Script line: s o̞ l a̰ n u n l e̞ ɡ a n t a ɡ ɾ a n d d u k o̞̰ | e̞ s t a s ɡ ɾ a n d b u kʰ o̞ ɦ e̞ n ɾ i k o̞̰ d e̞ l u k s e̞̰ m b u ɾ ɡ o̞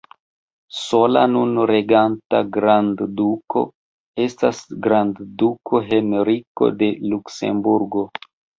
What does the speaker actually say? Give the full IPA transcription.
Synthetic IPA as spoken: s o̞ l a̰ n u n ɾ e̞ ɡ a n t a ɡ ɾ a n d d u k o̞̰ | e̞ s t a s ɡ ɾ a n d d u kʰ o̞ ɦ e̞ n ɾ i k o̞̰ d e̞ l u k s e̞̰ m b u ɾ ɡ o̞